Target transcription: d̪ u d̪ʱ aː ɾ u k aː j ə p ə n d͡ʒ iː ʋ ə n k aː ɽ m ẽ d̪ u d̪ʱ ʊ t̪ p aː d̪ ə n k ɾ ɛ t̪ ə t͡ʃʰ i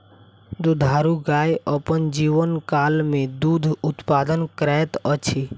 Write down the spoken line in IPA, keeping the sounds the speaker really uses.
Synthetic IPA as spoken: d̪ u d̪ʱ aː ɾ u ɡ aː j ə p ə n d͡ʒ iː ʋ ə n k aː l m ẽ d̪ u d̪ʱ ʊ t̪ p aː d̪ ə n k ɾ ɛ t̪ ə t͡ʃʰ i